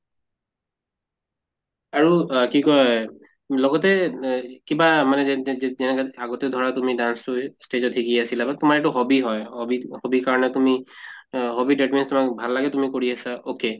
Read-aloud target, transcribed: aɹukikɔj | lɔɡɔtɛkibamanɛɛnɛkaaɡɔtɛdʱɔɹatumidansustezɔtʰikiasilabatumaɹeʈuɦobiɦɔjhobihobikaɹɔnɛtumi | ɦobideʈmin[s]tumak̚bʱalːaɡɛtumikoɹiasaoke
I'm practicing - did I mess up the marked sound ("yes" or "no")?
no